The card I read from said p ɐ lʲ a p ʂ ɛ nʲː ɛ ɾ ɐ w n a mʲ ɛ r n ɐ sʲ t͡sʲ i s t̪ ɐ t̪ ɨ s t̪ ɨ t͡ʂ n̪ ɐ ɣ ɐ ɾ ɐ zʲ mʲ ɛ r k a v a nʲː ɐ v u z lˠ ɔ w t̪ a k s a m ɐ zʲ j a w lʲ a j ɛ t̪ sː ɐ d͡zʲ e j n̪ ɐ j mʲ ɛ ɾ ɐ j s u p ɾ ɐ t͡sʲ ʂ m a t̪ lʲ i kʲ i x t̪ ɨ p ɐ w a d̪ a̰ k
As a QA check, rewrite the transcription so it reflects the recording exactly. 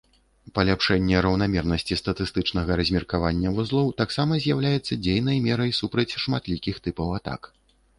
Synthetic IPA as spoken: p ɐ lʲ a p ʂ ɛ nʲː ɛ ɾ ɐ w n a mʲ ɛ r n ɐ sʲ t͡sʲ i s t̪ ɐ t̪ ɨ s t̪ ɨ t͡ʂ n̪ ɐ ɣ ɐ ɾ ɐ zʲ mʲ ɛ r k a v a nʲː ɐ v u z lˠ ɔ w t̪ a k s a m ɐ zʲ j a w lʲ a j ɛ t̪ sː ɐ d͡zʲ e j n̪ ɐ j mʲ ɛ ɾ ɐ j s u p ɾ ɐ t͡sʲ ʂ m a t̪ lʲ i kʲ i x t̪ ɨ p ɐ w a t̪ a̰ k